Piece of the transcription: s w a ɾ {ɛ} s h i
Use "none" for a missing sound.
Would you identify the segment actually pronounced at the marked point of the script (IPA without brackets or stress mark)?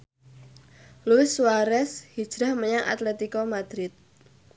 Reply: ɛ